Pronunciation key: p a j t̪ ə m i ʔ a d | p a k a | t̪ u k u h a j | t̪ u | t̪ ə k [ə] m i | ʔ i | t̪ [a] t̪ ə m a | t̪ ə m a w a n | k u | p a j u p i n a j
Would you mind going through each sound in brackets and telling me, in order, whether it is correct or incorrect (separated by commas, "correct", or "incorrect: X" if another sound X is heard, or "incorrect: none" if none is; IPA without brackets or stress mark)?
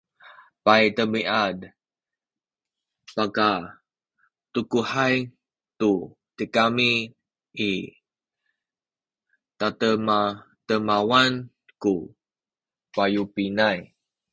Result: incorrect: a, correct